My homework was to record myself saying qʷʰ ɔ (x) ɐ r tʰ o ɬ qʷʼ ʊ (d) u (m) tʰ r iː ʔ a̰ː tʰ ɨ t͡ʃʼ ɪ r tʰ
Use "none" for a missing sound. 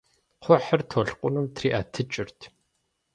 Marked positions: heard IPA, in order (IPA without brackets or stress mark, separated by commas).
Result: ħ, n, m